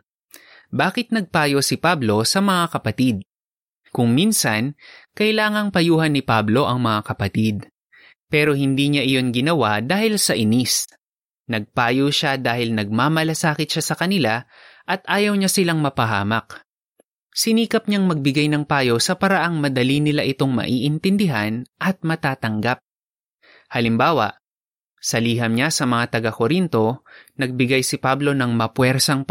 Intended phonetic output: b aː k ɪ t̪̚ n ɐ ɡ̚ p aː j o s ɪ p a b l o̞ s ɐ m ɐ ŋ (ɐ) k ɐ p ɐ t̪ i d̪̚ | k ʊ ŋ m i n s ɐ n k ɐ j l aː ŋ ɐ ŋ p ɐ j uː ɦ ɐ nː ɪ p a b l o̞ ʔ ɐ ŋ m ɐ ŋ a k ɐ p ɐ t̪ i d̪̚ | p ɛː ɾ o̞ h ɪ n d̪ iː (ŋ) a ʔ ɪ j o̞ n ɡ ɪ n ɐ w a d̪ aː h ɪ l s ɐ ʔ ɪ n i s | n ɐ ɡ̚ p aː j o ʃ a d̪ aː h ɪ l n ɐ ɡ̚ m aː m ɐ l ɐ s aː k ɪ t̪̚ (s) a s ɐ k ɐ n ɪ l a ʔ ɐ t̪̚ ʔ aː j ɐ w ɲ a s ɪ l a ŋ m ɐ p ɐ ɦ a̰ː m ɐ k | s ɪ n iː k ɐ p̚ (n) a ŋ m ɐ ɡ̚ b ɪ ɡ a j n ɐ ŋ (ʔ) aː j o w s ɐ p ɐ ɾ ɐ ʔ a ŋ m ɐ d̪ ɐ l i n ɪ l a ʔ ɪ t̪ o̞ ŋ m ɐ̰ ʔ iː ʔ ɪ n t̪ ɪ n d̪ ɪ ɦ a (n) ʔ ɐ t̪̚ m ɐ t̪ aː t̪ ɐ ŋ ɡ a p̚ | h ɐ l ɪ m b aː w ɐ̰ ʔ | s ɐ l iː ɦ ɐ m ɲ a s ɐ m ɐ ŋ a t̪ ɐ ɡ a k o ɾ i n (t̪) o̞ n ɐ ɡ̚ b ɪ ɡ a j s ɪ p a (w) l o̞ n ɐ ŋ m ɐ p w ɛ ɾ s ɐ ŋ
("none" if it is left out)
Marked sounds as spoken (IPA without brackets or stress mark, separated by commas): a, ɲ, ʃ, ɲ, p, n, t̪, b